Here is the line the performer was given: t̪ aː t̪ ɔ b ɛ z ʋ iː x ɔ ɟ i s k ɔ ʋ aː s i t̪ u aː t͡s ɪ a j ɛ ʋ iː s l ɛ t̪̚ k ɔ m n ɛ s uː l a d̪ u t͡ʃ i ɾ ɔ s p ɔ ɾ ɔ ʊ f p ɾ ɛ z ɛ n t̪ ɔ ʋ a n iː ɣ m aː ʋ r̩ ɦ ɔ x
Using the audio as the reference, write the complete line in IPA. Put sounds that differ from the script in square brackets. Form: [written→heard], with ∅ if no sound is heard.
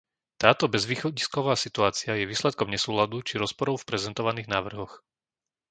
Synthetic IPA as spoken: t̪ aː t̪ ɔ b ɛ z ʋ iː x ɔ ɟ i s k ɔ ʋ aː s i t̪ u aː t͡s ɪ a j ɛ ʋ iː s l ɛ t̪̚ k ɔ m [n→ɲ] ɛ s uː l a d̪ u t͡ʃ i ɾ ɔ s p ɔ ɾ ɔ ʊ f p ɾ ɛ z ɛ n t̪ ɔ ʋ a n iː ɣ [m→n] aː ʋ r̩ ɦ ɔ x